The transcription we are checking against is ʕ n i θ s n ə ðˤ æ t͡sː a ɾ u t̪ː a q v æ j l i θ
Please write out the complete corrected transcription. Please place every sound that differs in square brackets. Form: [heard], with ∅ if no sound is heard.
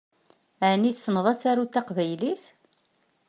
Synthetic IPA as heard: ʕ n i θ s n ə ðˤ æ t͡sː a ɾ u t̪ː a q v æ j l i θ